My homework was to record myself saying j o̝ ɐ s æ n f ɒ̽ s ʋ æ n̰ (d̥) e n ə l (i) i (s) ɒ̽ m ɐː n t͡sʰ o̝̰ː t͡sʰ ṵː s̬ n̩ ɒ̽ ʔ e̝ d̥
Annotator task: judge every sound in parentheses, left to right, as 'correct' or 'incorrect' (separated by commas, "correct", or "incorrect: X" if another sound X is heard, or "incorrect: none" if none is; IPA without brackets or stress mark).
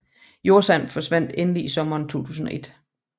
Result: correct, correct, correct